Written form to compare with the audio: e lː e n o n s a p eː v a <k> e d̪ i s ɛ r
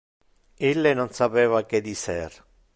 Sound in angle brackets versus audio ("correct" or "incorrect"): correct